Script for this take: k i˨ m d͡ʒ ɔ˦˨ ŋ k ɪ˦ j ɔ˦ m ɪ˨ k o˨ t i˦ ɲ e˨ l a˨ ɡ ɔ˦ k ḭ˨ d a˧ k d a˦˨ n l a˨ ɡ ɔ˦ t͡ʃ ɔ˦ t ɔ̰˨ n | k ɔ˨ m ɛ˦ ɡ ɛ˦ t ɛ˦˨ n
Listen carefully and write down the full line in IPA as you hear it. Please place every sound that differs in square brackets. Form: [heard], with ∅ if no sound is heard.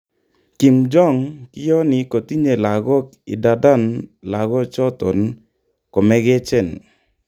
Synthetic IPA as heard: k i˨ m d͡ʒ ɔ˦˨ ŋ k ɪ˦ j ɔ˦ [n] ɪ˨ k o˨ t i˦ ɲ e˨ l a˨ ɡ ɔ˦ k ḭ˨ d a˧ [∅] d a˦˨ n l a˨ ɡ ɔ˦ t͡ʃ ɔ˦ t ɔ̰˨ n | k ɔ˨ m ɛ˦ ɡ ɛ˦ [t͡ʃ] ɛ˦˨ n

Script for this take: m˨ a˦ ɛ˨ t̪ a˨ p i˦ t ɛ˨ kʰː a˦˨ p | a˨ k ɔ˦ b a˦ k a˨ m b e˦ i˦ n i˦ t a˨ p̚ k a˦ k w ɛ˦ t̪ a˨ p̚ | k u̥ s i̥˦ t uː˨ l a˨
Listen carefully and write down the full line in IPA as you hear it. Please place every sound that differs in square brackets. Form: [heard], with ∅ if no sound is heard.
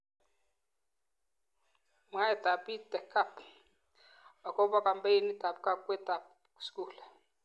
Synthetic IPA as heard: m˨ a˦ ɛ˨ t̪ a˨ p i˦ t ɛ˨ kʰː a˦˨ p | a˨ k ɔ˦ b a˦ k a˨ m b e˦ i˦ n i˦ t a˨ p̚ k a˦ k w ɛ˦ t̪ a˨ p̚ | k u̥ s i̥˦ [k] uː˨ l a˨

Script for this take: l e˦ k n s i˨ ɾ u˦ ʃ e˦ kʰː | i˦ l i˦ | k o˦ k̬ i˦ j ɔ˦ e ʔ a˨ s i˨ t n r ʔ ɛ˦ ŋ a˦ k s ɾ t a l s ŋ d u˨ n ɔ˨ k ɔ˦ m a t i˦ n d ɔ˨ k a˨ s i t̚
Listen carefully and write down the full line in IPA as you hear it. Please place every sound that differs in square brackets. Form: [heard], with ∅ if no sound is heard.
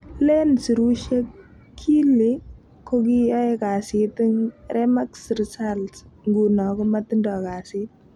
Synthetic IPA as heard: l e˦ [∅] n s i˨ ɾ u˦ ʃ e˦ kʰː | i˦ l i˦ | k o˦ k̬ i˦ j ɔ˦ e [k] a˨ s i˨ t [ŋ] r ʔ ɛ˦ [m] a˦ k s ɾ [s] a l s ŋ [ɡ] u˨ n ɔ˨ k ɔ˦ m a t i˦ n d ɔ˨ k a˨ s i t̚

